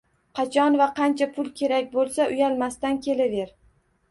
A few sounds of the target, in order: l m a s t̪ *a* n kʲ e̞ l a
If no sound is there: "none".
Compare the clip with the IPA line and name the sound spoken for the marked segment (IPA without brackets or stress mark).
a